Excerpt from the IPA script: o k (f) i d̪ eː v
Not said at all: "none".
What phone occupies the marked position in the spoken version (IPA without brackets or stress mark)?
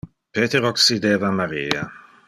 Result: s